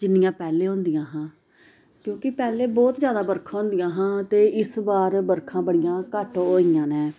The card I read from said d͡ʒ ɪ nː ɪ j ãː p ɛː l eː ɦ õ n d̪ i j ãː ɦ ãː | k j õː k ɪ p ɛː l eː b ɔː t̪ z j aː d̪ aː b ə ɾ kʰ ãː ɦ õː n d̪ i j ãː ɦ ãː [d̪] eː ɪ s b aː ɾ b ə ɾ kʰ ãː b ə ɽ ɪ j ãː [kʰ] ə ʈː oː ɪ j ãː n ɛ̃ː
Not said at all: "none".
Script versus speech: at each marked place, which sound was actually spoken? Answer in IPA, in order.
t̪, k

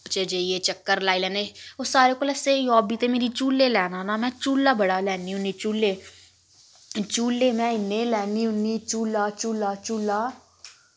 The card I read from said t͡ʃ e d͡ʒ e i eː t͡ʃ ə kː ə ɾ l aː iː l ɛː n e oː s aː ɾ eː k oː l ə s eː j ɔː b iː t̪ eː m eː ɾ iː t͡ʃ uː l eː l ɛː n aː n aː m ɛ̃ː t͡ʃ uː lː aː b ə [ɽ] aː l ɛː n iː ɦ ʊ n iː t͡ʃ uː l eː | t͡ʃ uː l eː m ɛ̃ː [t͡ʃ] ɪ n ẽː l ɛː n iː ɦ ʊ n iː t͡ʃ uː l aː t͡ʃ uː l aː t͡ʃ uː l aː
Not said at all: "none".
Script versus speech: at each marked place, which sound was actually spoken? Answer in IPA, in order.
ɽ, none

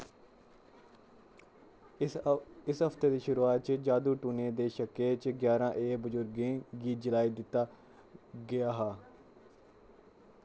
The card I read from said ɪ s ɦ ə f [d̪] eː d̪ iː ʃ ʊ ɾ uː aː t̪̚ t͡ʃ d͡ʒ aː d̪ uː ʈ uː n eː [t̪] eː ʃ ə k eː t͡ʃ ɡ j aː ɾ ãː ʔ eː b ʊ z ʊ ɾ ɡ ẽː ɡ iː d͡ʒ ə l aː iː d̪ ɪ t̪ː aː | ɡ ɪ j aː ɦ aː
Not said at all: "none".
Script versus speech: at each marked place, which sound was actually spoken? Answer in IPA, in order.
t̪, d̪

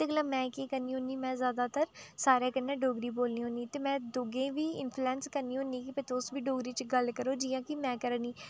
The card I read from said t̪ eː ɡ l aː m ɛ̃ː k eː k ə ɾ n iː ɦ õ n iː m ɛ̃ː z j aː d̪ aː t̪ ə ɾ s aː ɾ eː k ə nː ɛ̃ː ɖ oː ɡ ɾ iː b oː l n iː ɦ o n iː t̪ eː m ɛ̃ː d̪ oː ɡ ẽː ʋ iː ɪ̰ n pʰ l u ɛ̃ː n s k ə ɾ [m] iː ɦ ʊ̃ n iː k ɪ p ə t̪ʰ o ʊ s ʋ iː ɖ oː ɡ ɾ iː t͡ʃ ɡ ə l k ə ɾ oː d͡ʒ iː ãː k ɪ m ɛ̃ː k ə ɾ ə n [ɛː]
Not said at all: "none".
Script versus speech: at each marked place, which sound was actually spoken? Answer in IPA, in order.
n, iː

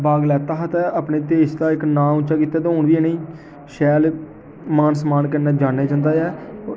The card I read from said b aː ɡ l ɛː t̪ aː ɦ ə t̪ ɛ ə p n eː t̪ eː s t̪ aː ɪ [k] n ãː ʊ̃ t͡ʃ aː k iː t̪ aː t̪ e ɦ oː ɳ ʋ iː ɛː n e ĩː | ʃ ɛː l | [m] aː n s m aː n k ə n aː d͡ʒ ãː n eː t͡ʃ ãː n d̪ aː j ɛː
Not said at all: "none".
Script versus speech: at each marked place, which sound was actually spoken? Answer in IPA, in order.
k, m

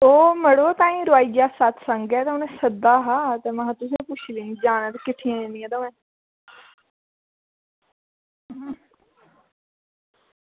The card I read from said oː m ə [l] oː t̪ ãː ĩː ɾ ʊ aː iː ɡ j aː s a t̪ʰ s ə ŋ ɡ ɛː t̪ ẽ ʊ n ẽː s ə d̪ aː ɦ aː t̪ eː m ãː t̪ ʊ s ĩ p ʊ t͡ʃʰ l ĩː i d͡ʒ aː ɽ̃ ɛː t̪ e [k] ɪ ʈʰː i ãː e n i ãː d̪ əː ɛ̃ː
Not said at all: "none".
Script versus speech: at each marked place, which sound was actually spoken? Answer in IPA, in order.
ɽ, k

